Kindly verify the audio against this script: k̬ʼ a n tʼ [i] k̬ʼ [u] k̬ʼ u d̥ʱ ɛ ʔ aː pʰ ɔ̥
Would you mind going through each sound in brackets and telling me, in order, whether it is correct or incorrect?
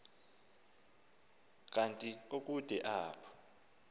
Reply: correct, incorrect: o

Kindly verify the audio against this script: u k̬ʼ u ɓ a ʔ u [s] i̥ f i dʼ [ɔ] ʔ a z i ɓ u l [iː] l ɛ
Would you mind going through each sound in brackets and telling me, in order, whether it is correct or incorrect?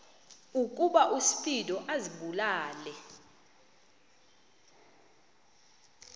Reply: correct, correct, incorrect: aː

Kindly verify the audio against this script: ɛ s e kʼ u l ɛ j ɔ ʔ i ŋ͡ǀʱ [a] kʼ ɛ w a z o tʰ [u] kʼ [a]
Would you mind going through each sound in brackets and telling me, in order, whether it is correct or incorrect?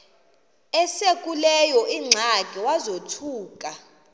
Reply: correct, incorrect: uː, correct

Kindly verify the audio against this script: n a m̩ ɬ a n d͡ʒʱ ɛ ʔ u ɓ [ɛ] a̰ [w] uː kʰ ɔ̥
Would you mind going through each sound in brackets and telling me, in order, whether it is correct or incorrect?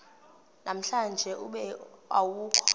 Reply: correct, correct

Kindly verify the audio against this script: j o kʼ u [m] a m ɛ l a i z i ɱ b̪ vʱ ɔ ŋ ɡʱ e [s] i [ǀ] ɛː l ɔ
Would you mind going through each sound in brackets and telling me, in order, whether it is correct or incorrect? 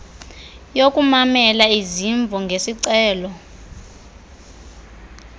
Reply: correct, correct, correct

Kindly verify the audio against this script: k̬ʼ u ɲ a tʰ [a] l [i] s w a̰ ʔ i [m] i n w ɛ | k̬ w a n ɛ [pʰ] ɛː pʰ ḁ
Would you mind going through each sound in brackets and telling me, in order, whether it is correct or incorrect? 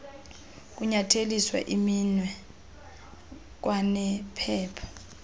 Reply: incorrect: e, correct, correct, correct

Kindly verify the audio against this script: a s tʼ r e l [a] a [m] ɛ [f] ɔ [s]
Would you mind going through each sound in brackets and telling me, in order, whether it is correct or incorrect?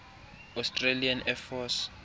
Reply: incorrect: i, incorrect: n, correct, correct

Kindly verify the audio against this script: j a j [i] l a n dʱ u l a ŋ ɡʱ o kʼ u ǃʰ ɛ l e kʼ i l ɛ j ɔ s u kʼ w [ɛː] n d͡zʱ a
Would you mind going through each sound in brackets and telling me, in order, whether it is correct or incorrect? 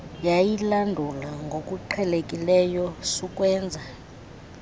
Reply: correct, correct

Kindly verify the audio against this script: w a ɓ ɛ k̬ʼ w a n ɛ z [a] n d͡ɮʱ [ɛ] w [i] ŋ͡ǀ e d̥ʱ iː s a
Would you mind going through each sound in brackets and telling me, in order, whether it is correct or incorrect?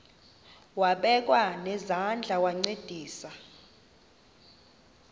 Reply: correct, incorrect: a, incorrect: a

